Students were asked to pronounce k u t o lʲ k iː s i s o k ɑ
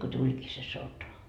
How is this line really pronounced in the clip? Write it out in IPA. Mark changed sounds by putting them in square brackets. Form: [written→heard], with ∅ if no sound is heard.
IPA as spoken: k [u→o] t [o→u] lʲ k iː s [i→e] s o [k→t] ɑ